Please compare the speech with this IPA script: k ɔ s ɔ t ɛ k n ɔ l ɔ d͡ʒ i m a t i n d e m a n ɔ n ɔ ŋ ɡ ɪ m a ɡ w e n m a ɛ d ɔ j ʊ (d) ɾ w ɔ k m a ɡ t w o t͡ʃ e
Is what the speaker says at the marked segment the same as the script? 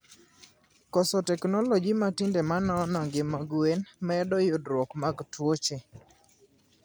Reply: yes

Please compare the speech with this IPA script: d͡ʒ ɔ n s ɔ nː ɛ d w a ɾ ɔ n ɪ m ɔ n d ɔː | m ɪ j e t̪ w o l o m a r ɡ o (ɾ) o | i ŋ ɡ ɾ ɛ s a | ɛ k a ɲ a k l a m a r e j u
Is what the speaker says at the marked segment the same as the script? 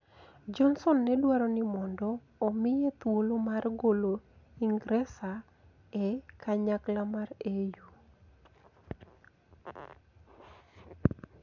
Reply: no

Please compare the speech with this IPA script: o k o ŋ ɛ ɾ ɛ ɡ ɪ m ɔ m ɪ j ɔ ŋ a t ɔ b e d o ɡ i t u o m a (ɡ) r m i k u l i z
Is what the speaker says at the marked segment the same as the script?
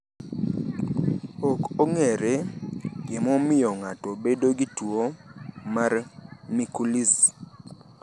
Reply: no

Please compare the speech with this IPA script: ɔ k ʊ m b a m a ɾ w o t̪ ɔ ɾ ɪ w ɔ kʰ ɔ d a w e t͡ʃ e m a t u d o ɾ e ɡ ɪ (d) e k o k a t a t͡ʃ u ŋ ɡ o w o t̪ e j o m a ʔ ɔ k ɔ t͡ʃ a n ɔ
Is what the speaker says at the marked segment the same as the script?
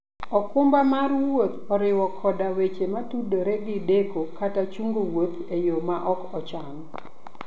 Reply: yes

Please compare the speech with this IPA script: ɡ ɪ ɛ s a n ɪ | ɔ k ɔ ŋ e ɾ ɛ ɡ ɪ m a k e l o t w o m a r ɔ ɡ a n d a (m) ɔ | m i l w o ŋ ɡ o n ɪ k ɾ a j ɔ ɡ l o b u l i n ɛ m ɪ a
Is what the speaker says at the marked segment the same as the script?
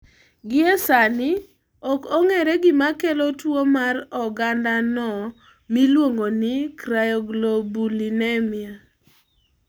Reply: no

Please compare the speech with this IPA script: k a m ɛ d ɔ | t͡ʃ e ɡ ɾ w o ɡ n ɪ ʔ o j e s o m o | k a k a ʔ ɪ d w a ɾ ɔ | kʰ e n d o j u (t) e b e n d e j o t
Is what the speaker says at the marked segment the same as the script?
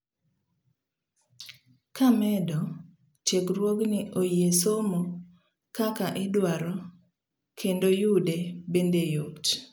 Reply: no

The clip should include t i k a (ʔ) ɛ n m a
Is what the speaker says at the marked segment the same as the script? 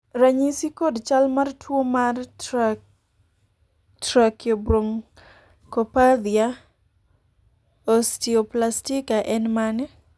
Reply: yes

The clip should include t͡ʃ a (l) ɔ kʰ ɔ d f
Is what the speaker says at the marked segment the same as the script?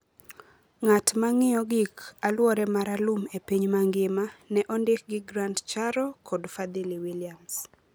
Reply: no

